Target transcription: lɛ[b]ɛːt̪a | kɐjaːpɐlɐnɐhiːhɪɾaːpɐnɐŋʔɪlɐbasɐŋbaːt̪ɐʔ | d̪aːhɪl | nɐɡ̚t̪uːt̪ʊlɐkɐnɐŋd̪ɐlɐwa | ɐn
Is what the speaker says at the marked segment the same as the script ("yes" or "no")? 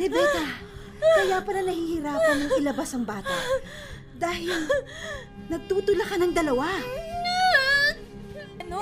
yes